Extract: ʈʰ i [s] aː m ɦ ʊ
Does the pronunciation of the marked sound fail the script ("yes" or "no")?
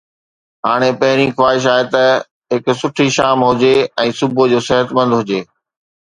yes